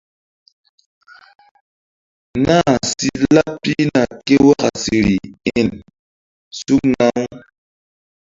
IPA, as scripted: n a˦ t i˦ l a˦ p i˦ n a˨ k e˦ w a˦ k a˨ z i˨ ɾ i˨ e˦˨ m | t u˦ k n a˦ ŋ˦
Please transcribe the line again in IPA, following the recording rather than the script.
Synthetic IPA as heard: n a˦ s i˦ l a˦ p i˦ n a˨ k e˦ w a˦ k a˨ s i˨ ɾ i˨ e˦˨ n | s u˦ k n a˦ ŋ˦

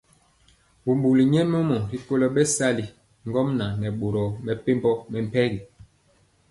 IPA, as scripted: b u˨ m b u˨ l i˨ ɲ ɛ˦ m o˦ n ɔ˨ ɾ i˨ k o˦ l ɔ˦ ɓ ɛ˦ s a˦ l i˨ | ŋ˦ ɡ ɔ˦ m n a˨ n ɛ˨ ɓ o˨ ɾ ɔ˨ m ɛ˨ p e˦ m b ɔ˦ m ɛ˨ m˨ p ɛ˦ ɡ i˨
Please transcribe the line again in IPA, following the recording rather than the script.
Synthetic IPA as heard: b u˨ m b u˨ l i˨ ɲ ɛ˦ m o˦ m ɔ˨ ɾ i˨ k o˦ l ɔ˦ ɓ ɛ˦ s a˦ l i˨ | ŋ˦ ɡ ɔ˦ m n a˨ n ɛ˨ ɓ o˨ ɾ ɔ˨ m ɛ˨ p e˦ m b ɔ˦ m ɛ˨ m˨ p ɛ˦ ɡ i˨

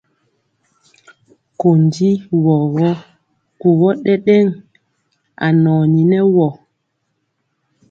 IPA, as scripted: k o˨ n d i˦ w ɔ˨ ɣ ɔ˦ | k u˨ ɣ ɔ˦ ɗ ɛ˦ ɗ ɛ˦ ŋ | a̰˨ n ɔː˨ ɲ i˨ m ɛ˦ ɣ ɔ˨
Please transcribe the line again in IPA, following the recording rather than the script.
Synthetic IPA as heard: k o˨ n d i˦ w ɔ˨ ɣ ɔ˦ | k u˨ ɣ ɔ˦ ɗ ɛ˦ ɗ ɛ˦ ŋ | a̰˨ n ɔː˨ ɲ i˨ n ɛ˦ w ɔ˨

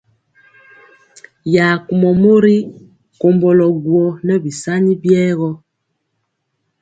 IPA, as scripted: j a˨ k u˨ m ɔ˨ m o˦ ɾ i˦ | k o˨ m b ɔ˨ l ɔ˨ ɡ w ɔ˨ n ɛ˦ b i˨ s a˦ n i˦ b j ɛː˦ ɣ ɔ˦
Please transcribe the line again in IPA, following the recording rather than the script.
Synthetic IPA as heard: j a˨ k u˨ m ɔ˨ m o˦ ɾ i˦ | k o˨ m b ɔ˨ l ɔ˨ ɡ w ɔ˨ n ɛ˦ b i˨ s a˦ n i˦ b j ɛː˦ ɣ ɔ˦

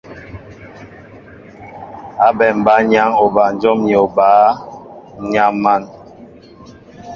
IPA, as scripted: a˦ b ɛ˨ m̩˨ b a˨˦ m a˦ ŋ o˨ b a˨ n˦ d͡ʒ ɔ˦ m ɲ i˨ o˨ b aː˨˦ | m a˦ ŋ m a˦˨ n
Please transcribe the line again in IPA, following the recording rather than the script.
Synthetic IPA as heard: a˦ b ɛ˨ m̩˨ b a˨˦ ɲ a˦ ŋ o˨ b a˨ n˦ d͡ʒ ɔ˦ m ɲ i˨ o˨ b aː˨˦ | ɲ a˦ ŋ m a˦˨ n

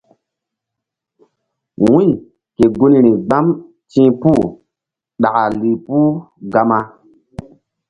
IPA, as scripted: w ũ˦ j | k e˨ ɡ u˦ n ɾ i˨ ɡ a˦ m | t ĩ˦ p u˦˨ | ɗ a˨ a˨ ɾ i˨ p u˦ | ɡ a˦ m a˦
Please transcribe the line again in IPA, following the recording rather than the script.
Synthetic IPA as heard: w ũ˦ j | k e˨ ɡ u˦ n ɾ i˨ ɡ͡b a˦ m | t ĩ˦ p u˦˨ | ɗ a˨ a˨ l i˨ p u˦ | ɡ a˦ m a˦

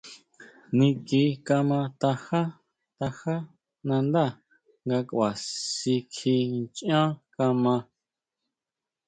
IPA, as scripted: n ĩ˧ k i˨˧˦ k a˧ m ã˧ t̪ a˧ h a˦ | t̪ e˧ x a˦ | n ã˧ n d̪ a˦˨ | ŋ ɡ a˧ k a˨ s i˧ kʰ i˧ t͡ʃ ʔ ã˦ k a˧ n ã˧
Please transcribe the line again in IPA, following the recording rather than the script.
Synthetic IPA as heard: n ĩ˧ k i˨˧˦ k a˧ m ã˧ t̪ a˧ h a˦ | t̪ a˧ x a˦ | n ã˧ n d̪ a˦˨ | ŋ ɡ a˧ k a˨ s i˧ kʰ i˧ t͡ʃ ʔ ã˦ k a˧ m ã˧

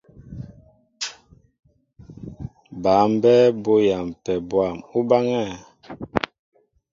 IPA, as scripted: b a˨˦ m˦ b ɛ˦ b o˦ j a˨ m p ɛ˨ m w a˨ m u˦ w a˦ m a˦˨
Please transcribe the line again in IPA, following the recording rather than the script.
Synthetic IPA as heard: b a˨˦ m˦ b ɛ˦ b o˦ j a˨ m p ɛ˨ b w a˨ m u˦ b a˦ ŋ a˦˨

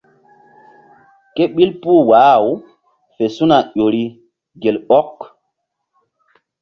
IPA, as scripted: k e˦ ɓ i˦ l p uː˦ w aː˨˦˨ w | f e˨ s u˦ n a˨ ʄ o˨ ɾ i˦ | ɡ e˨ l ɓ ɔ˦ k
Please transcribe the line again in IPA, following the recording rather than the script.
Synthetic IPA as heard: k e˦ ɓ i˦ l p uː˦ w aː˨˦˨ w | f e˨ s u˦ n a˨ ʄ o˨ ɾ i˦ | ɡ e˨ l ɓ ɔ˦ k

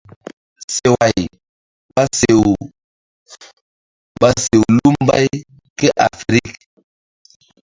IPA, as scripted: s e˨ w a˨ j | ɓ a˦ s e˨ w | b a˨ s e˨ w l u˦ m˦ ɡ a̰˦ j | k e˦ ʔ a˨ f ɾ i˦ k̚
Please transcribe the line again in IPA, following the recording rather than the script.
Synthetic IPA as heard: s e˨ w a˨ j | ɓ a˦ s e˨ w | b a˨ s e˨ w l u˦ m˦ b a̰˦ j | k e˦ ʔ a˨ f ɾ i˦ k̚

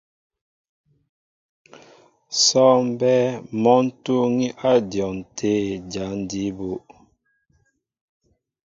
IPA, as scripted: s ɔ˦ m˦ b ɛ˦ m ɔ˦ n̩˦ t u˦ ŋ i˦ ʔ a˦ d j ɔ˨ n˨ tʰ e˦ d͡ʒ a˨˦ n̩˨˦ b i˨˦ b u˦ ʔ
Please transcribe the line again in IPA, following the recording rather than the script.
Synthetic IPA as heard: s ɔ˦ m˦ b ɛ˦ m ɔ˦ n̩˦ t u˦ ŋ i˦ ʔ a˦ d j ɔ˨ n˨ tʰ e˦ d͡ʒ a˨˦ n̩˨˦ d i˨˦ b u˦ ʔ

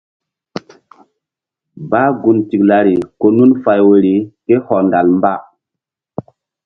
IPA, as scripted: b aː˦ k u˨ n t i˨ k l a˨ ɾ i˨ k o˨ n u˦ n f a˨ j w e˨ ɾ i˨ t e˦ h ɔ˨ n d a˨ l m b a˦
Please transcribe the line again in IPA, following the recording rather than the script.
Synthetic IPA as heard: b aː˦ ɡ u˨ n t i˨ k l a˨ ɾ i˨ k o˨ n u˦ n f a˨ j w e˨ ɾ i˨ k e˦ h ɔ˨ n d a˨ l m b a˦

